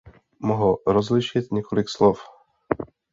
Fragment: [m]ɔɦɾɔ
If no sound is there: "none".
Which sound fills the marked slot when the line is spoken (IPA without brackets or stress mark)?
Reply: m